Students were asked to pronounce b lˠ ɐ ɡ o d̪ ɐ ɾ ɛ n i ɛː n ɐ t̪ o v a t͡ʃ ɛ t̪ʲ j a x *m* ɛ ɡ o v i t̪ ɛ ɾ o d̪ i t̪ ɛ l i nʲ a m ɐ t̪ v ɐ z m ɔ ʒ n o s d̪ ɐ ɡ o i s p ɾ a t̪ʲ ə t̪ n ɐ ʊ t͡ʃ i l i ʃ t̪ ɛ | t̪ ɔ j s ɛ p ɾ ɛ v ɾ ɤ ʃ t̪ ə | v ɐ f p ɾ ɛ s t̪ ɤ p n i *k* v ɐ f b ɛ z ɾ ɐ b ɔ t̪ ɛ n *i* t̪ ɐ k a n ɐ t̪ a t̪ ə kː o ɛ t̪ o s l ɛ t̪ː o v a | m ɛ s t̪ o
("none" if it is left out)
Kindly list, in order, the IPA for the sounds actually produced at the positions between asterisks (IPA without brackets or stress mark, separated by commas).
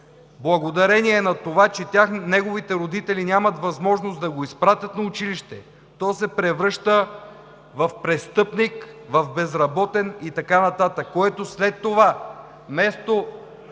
n, k, i